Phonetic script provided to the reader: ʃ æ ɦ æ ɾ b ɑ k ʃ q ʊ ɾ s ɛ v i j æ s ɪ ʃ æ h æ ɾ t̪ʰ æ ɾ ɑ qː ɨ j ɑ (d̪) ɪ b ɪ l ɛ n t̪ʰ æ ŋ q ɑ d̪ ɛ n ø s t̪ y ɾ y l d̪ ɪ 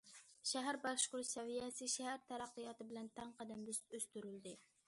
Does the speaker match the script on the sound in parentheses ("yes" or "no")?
no